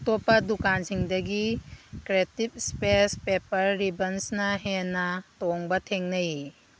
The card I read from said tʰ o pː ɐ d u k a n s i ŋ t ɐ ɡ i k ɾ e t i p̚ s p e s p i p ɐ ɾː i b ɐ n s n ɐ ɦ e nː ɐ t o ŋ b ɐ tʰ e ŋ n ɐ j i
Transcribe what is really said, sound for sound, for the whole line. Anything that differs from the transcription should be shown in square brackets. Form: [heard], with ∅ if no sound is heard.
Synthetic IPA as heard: [t] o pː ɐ d u k a n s i ŋ [d] ɐ ɡ i k ɾ e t i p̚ s p e s p [e] p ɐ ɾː i b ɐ n s n ɐ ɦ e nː ɐ t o ŋ b ɐ tʰ e ŋ n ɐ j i